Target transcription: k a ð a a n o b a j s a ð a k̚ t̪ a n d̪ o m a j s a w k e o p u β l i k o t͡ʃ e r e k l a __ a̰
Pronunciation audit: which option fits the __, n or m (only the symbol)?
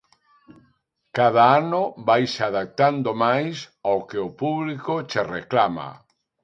m